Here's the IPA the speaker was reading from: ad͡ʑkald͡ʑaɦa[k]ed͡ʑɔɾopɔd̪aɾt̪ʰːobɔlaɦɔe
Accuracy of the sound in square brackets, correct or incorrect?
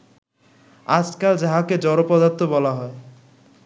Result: correct